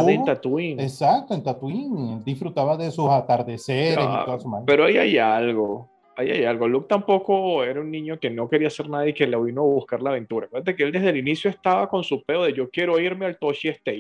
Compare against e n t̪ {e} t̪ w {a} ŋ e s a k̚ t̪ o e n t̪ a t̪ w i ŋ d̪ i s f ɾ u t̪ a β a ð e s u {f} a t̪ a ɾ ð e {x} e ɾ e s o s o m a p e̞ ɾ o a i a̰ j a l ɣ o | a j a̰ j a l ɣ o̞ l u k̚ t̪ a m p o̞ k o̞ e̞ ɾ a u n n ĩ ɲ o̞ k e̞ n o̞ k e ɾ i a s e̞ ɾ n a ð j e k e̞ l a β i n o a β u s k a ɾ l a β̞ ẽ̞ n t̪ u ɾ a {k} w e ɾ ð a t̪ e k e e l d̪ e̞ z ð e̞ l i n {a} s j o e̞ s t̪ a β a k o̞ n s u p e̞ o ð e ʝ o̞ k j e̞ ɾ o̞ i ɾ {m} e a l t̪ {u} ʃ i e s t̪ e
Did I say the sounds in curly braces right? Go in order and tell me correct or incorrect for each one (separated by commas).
incorrect, incorrect, incorrect, incorrect, correct, incorrect, correct, incorrect